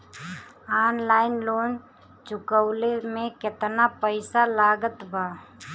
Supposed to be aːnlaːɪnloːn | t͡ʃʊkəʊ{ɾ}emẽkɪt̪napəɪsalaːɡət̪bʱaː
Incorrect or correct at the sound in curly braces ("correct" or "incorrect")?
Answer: incorrect